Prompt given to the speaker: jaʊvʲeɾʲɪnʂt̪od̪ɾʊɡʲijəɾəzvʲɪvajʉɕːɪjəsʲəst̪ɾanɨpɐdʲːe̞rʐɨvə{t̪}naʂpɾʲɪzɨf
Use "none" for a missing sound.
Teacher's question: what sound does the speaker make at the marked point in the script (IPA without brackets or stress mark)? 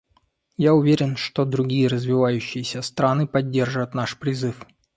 t̪